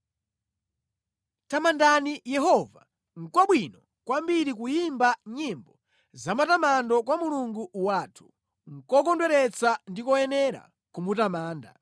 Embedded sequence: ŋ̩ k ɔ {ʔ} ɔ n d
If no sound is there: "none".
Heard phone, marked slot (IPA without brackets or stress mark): k